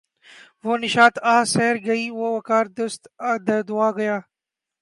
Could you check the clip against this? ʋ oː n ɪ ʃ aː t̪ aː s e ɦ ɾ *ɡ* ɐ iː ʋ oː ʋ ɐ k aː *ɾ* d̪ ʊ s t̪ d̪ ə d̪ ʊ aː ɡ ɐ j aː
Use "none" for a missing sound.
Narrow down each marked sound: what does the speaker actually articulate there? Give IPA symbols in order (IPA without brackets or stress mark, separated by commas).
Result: ɡ, ɾ